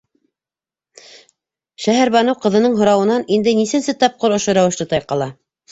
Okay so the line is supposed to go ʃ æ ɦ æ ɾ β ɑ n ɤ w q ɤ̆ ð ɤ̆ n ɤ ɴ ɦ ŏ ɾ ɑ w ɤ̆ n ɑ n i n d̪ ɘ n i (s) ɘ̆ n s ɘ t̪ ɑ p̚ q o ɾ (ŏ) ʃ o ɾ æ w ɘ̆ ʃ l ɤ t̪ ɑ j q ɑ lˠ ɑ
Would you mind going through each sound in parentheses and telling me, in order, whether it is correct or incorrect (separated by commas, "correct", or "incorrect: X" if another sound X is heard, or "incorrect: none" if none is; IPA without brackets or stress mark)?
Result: correct, correct